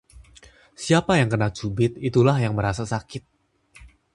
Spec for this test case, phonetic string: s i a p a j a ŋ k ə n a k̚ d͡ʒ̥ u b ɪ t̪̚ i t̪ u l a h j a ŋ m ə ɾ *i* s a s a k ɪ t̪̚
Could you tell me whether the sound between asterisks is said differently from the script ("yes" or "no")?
yes